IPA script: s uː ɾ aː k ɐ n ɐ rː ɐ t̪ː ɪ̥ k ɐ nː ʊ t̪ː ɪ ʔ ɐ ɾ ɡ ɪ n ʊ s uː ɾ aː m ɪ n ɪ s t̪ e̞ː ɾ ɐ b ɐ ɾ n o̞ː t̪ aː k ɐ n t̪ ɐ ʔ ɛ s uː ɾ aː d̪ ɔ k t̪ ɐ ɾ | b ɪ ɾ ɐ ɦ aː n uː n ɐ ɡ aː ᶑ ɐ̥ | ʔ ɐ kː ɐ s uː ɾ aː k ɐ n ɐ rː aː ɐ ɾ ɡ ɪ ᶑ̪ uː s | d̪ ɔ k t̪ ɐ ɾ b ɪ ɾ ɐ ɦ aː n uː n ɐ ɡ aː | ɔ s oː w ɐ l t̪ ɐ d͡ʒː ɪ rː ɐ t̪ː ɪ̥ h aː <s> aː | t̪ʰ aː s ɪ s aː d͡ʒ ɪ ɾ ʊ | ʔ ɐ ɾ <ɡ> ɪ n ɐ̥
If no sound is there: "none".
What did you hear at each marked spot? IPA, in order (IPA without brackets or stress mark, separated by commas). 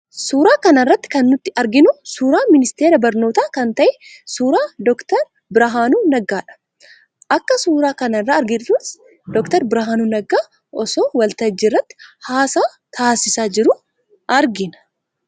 s, ɡ